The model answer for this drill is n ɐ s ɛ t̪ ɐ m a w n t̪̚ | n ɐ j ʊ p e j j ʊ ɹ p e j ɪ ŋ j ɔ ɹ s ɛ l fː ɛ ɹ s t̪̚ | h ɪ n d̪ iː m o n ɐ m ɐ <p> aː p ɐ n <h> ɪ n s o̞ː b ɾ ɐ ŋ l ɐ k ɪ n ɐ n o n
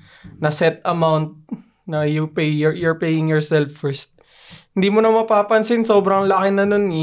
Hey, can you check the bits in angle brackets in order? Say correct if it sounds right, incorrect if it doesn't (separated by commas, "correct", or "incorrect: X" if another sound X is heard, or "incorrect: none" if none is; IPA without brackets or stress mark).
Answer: correct, incorrect: s